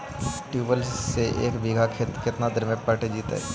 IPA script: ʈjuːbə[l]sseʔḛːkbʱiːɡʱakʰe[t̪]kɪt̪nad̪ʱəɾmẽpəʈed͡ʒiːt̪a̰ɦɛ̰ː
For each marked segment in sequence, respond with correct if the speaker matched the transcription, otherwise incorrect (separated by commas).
correct, correct